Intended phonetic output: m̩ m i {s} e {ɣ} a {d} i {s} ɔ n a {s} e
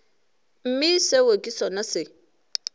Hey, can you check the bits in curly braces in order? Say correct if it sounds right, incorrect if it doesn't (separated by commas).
correct, incorrect, incorrect, correct, correct